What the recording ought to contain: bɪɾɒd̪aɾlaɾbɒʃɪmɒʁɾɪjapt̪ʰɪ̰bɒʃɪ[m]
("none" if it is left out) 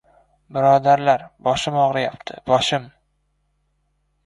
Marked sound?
m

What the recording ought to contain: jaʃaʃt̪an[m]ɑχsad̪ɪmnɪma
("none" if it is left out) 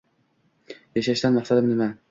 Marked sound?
m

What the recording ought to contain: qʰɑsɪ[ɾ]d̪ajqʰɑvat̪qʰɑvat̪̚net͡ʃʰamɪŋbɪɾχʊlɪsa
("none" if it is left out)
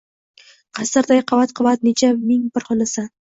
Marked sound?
ɾ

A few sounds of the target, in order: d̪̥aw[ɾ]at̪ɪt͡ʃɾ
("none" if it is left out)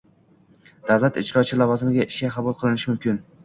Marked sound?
l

